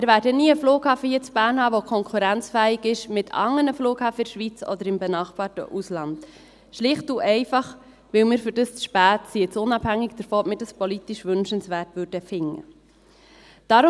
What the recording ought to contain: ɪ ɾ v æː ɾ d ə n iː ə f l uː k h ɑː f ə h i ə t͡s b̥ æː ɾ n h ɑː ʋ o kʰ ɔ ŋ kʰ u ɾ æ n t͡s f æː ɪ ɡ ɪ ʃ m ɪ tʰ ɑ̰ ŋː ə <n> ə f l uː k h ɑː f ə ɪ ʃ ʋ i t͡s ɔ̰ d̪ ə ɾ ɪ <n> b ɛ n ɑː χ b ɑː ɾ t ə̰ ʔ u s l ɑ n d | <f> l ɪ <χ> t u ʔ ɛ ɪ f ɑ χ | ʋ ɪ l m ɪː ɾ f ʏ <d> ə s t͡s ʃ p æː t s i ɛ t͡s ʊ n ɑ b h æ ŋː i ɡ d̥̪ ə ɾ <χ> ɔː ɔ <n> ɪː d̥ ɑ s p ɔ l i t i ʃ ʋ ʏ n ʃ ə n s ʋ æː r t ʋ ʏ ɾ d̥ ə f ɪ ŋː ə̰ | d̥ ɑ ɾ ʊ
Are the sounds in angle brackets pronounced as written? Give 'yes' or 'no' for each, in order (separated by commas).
yes, no, no, yes, yes, no, no